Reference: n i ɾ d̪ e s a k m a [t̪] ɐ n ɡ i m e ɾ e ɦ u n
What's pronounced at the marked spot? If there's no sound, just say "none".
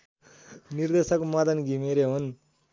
d̪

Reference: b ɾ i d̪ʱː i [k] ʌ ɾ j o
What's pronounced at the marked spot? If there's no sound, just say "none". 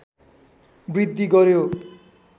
ɡ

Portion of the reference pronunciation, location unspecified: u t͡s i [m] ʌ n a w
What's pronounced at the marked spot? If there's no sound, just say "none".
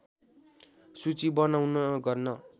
b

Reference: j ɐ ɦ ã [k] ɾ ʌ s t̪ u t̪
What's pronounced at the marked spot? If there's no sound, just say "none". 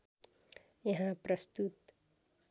p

